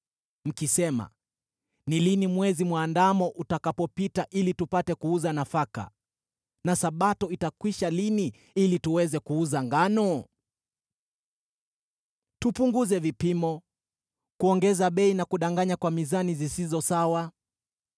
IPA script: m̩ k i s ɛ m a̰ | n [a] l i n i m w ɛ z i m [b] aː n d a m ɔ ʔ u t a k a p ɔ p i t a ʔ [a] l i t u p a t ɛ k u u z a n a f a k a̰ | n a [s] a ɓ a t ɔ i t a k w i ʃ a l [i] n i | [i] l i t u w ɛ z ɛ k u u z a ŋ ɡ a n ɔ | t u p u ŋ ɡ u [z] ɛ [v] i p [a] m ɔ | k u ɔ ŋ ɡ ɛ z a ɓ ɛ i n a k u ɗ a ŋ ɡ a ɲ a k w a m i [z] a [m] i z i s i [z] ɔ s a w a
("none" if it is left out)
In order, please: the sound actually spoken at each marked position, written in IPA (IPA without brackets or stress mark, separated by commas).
i, w, i, s, i, i, z, v, i, z, n, z